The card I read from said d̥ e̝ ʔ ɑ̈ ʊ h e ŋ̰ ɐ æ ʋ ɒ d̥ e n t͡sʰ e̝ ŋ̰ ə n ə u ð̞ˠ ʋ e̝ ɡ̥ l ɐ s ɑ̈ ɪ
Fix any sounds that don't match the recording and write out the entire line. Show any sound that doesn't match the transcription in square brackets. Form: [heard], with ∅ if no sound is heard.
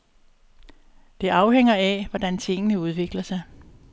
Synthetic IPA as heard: d̥ e̝ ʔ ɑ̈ ʊ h e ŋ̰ ɐ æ ʋ ɒ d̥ [æ] n t͡sʰ e̝ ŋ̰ ə n ə u ð̞ˠ ʋ e̝ ɡ̥ l ɐ s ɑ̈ ɪ